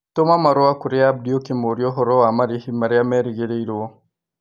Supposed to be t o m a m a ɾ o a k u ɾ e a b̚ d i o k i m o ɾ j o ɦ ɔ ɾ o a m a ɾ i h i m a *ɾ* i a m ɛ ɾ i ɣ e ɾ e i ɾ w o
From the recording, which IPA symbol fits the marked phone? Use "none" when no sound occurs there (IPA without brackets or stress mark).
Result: ɾ